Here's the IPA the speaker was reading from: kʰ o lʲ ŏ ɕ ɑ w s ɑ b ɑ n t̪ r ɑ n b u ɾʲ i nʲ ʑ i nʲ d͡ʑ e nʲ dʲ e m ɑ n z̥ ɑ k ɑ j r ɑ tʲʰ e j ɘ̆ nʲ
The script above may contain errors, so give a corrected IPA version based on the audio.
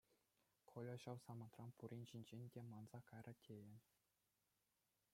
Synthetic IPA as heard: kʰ o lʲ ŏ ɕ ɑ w s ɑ m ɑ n t̪ r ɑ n p u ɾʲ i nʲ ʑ i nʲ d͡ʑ e nʲ dʲ e m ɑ n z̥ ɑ k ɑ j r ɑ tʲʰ e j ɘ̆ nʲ